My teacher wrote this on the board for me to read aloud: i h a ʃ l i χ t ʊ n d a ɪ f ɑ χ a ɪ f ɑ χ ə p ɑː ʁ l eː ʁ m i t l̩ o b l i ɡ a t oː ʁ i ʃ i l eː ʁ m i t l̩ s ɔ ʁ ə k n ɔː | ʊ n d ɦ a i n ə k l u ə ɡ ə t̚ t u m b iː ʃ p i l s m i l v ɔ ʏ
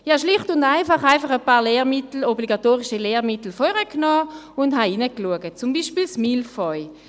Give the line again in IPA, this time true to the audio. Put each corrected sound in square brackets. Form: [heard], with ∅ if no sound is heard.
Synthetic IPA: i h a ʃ l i χ t ʊ n d a ɪ f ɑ χ a ɪ f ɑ χ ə p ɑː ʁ l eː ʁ m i t l̩ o b l i ɡ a t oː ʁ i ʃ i l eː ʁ m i t l̩ [f] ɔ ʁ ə k n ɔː | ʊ n d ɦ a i n ə k l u ə ɡ ə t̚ [t͡s] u m b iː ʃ p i l s m i l [f] ɔ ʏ